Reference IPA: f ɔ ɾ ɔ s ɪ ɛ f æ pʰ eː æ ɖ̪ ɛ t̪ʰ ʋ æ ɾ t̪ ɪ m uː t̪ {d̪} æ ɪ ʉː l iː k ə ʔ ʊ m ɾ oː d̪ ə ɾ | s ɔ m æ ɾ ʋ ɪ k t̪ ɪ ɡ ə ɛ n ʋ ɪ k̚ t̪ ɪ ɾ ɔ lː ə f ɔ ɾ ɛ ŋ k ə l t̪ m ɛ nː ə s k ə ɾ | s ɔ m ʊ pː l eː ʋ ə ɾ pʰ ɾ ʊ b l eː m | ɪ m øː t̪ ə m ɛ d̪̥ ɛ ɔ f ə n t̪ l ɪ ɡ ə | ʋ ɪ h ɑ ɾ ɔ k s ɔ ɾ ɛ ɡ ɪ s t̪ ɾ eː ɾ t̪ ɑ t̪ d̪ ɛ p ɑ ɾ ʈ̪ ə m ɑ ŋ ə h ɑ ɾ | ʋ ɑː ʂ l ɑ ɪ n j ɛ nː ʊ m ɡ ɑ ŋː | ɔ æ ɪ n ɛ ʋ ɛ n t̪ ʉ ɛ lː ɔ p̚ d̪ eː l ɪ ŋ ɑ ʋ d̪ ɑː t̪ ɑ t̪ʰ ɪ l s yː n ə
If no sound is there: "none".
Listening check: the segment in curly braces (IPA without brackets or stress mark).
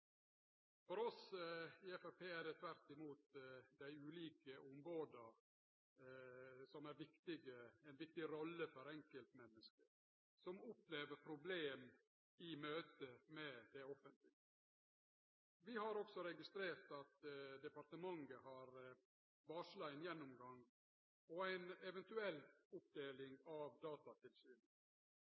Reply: d̪